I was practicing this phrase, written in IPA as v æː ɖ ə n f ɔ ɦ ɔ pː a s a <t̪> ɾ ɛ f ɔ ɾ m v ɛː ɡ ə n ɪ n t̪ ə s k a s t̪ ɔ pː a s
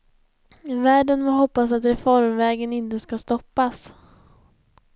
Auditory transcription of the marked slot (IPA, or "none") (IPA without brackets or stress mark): t̪